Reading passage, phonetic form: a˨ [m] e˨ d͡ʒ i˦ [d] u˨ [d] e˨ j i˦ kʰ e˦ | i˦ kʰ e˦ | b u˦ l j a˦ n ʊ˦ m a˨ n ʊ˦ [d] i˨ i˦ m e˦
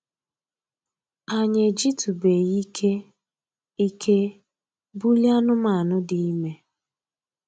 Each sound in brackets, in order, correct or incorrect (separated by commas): incorrect, incorrect, incorrect, correct